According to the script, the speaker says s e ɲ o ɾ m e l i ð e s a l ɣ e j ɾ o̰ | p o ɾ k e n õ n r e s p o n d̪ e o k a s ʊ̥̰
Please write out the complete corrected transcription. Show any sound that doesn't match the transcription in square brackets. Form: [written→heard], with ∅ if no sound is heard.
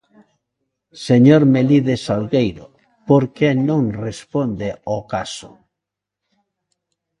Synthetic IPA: s e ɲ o ɾ m e l i ð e s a l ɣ e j ɾ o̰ | p o ɾ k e n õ [n→ŋ] r e s p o n d̪ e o k a s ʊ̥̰